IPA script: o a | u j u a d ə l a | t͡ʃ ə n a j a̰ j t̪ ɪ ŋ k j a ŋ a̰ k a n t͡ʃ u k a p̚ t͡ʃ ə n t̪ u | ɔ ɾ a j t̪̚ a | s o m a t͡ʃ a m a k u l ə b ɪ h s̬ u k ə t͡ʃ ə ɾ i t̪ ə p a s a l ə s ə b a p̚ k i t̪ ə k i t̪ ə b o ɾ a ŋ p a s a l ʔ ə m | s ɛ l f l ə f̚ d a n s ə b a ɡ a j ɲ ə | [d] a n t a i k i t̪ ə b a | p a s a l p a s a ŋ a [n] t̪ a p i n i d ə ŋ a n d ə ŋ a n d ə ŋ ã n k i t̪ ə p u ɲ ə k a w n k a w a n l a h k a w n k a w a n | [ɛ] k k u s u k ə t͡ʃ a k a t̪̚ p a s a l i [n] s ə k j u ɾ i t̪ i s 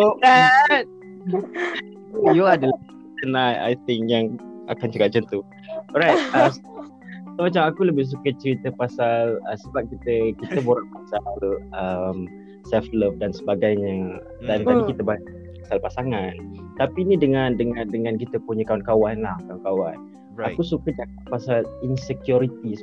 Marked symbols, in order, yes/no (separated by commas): yes, yes, no, yes